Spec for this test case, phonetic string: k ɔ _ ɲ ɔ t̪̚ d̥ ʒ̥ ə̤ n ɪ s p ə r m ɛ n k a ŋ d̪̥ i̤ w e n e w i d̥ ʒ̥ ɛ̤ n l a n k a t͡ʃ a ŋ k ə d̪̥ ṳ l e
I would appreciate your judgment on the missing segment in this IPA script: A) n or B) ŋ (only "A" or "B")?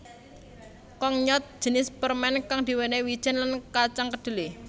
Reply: B